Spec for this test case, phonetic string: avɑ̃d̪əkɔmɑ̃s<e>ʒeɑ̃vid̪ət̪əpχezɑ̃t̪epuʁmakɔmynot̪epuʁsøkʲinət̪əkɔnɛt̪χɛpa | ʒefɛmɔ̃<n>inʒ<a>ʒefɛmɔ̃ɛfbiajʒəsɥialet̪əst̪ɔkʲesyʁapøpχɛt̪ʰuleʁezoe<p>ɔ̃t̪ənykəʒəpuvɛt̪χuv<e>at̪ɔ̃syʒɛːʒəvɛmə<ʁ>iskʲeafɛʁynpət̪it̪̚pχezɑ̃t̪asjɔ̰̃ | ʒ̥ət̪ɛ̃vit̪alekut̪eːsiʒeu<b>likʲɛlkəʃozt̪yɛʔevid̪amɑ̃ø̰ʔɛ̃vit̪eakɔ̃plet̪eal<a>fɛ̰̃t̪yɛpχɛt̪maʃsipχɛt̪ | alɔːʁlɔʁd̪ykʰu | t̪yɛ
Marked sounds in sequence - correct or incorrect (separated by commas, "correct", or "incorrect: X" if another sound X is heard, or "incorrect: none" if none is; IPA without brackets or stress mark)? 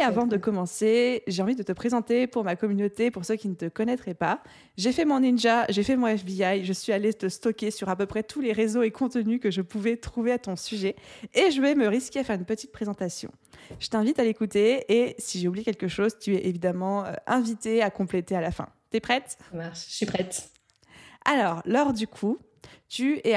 correct, correct, correct, incorrect: k, correct, correct, correct, correct